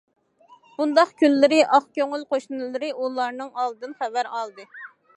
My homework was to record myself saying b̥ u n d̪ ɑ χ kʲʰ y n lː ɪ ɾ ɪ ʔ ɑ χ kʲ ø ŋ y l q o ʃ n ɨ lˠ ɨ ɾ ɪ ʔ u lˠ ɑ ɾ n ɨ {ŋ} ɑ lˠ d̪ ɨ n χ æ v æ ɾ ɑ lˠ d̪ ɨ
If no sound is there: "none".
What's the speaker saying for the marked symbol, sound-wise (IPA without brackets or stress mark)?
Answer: ŋ